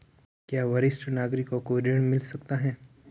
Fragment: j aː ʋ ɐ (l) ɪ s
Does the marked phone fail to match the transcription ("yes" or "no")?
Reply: yes